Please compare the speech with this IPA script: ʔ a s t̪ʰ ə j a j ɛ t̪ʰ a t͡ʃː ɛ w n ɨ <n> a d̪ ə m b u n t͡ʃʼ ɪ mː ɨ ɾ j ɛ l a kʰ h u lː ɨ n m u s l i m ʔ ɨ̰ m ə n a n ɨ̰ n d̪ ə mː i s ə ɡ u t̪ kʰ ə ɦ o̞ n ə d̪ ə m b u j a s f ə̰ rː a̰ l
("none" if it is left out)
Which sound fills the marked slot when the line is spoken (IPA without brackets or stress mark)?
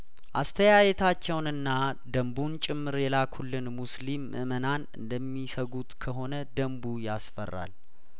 nː